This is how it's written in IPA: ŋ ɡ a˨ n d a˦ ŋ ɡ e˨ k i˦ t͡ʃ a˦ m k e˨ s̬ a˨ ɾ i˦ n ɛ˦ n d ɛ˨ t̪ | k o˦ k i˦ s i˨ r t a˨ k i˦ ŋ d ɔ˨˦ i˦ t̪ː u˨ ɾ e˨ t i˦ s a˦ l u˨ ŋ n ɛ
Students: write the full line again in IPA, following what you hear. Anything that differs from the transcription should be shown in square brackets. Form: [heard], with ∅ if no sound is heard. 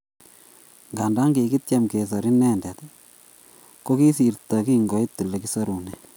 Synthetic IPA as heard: ŋ ɡ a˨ n d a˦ ŋ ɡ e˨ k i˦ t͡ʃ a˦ m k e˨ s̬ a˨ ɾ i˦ n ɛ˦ n d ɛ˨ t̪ | k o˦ k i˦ s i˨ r t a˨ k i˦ ŋ [ɡ] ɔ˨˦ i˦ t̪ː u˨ [l] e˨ [k] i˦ s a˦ [ɾ] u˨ [∅] n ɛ